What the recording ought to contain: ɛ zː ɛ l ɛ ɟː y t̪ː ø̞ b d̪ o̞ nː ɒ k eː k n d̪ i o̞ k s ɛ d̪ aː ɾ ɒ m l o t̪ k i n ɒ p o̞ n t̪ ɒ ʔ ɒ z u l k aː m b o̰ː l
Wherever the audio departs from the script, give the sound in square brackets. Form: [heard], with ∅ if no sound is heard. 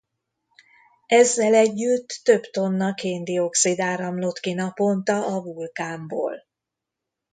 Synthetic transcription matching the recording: ɛ zː ɛ l ɛ ɟː y t̪ː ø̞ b [t̪] o̞ nː ɒ k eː [∅] n d̪ i o̞ k s [i] d̪ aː ɾ ɒ m l o t̪ k i n ɒ p o̞ n t̪ ɒ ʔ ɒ [v] u l k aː m b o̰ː l